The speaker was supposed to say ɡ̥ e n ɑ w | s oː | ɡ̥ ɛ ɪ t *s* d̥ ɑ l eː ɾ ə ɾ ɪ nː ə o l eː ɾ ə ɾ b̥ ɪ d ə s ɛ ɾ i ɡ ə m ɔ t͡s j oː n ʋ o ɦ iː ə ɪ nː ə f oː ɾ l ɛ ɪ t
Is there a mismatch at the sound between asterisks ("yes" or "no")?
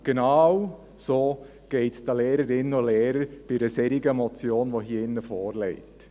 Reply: no